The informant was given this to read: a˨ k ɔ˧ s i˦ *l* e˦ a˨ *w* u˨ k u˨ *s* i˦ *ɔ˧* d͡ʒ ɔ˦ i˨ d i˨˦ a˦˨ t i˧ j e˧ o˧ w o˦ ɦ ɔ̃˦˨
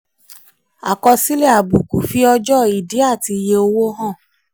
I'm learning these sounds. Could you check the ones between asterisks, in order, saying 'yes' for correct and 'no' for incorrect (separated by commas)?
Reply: yes, no, no, yes